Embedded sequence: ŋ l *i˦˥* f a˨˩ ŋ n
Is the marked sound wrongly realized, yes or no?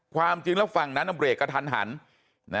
yes